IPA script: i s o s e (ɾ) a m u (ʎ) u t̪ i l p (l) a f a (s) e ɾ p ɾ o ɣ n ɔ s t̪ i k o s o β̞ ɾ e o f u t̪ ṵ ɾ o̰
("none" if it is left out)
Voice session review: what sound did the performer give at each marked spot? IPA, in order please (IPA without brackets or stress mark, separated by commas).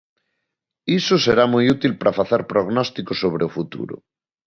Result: ɾ, j, ɾ, θ